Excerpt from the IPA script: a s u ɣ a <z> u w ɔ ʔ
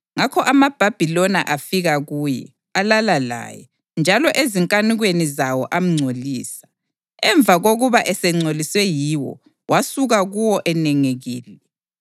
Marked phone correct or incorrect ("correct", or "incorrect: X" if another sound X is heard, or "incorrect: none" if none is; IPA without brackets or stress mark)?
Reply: incorrect: ɣ